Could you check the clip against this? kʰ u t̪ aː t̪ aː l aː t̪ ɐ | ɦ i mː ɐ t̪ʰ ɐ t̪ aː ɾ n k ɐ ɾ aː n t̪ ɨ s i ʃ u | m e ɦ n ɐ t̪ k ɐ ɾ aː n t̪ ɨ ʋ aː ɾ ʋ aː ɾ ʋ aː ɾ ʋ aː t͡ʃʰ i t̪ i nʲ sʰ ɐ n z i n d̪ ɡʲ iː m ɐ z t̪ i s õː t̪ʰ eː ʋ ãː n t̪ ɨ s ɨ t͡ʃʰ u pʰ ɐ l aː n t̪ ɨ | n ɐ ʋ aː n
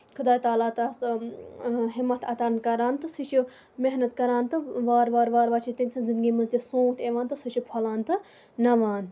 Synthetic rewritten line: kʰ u d̪ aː t̪ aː l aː t̪ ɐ | ɦ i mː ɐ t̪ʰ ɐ t̪ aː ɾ n k ɐ ɾ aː n t̪ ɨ s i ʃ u | m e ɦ n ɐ t̪ k ɐ ɾ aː n t̪ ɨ ʋ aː ɾ ʋ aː ɾ ʋ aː ɾ ʋ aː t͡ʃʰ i t̪ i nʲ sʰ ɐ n z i n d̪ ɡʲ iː m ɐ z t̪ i s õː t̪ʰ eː ʋ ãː n t̪ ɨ s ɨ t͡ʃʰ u pʰ ɐ l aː n t̪ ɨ | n ɐ ʋ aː n